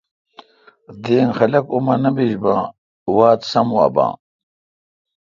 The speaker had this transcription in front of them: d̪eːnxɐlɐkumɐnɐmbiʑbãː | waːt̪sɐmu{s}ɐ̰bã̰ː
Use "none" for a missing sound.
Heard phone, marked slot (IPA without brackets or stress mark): none